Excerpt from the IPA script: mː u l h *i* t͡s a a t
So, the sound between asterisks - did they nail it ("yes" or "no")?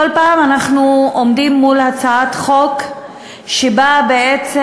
no